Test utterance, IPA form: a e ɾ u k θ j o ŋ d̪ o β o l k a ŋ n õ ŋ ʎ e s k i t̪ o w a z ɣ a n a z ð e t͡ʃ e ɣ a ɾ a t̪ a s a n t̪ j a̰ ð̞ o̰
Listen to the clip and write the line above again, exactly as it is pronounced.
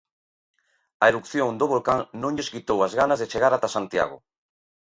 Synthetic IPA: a e ɾ u k θ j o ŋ d̪ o β o l k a ŋ n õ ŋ ʎ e s k i t̪ o w a z ɣ a n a z ð e t͡ʃ e ɣ a ɾ a t̪ a s a n t̪ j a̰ ɣ̞ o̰